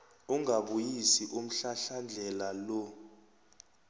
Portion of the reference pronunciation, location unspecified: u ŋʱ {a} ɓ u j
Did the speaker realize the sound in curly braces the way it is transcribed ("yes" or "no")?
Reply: yes